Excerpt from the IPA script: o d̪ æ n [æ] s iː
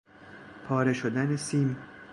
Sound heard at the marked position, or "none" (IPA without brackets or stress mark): e